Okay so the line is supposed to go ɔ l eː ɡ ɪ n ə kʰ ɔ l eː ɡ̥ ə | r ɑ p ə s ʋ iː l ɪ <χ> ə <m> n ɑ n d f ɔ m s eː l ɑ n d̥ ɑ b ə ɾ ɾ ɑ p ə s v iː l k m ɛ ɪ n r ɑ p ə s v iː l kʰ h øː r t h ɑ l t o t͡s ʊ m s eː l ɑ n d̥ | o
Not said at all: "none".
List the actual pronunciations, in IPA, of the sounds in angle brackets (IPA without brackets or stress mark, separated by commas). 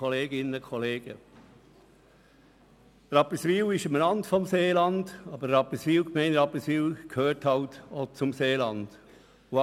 ʃ, m